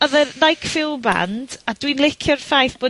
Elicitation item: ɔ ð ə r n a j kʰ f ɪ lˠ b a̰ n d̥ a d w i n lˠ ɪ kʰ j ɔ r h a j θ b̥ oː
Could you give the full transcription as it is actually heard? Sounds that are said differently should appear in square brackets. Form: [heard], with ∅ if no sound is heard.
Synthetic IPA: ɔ ð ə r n a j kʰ f ɪ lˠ b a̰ n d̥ a d w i n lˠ ɪ kʰ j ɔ r [f] a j θ b̥ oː